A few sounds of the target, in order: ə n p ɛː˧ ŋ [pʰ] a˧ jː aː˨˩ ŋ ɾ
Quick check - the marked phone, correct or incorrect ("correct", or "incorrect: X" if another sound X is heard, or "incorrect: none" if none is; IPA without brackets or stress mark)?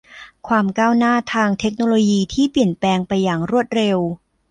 incorrect: p